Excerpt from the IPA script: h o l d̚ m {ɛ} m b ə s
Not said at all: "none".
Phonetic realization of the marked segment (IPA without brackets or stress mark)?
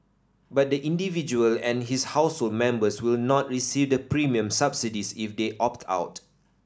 ɛ̃